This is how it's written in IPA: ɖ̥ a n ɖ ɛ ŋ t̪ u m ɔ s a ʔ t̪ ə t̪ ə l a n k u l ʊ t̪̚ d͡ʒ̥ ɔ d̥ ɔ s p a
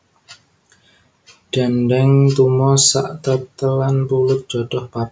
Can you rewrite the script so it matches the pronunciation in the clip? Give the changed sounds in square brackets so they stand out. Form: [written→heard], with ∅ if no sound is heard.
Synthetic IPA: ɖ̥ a n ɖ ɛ ŋ t̪ u m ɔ s a ʔ t̪ ə t̪ ə l a n [k→p] u l ʊ t̪̚ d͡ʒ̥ ɔ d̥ ɔ [s→h] p a